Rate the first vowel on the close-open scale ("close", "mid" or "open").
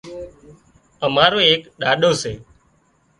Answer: mid